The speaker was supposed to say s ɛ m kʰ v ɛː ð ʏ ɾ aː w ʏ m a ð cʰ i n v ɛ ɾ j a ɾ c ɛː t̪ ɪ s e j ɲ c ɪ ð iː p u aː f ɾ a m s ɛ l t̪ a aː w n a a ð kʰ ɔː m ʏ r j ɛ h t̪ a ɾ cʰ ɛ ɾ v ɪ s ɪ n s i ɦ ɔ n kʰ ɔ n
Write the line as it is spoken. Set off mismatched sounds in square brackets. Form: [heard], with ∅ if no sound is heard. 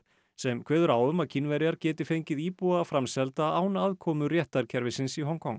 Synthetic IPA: s ɛ m kʰ v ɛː ð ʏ ɾ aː w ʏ m a ð cʰ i n v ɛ ɾ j a ɾ c ɛː t̪ ɪ [f] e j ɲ c ɪ ð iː p u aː f ɾ a m s ɛ l t̪ a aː w n a a ð kʰ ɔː m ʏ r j ɛ h t̪ a ɾ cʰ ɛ ɾ v ɪ s ɪ n s i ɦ ɔ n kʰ ɔ [ŋ]